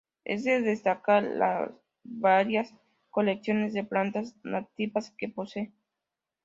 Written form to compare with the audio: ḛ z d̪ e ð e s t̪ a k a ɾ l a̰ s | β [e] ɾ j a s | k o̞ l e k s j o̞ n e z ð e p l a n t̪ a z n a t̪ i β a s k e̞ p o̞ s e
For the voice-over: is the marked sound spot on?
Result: no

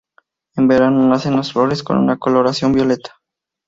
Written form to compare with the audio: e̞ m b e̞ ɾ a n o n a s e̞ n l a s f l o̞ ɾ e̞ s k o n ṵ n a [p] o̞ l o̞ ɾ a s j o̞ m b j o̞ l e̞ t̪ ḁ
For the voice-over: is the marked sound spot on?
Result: no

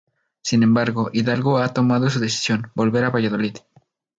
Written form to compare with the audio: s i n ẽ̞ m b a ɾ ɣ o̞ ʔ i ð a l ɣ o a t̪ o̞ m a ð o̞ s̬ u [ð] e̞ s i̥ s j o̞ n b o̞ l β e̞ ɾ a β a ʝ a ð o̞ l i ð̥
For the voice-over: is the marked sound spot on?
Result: yes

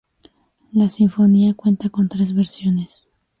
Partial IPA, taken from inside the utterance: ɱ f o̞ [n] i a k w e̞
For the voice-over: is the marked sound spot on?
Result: yes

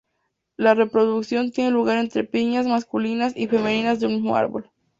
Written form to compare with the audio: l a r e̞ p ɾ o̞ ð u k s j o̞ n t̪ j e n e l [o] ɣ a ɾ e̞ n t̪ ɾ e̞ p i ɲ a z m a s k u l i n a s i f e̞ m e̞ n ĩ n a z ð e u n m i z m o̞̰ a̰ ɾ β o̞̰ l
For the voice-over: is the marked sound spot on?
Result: no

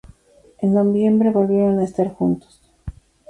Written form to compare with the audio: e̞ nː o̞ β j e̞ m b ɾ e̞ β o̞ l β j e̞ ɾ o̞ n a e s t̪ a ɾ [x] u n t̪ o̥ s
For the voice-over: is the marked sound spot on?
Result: yes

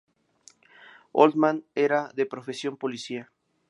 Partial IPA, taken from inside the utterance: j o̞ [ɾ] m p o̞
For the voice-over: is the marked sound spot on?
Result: no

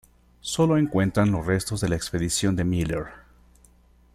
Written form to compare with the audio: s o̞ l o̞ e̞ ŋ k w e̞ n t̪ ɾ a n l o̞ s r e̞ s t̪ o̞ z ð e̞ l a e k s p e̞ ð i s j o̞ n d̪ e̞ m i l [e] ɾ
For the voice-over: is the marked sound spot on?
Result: yes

